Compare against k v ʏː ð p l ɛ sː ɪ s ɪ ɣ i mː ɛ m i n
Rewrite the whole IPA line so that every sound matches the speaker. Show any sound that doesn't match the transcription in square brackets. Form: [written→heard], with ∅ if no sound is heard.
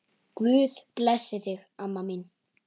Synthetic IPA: k v ʏː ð p l ɛ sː ɪ [s→θ] ɪ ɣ [i→a] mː [ɛ→a] m i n